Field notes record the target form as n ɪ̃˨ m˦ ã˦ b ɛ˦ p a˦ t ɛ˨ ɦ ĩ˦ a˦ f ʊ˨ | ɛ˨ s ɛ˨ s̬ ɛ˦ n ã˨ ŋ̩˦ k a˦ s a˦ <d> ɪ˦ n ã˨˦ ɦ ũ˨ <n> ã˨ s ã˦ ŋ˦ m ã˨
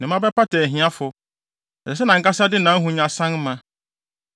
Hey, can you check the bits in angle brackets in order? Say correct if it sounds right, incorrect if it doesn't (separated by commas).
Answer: correct, incorrect